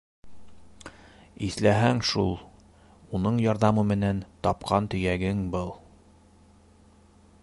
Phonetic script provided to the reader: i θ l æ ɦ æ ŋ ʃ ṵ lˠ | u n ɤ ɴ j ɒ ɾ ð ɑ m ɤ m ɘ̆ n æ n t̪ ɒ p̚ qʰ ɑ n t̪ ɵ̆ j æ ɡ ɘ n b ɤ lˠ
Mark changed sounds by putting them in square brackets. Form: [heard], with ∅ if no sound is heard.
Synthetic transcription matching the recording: i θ l æ ɦ æ ŋ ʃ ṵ lˠ | u n ɤ ɴ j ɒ ɾ ð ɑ m ɤ m ɘ̆ n æ n t̪ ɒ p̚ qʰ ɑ n t̪ ɵ̆ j æ ɡ ɘ [ŋ] b ɤ lˠ